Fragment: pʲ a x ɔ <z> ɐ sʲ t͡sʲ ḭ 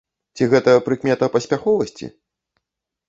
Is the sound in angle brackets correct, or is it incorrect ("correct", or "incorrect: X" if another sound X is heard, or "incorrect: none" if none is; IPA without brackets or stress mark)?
incorrect: v